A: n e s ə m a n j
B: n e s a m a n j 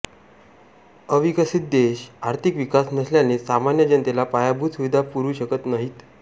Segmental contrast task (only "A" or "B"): B